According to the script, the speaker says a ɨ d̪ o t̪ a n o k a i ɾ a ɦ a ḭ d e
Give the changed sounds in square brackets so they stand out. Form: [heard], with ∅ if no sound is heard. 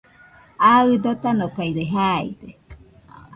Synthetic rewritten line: a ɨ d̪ o t̪ a n o k a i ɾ [e] ɦ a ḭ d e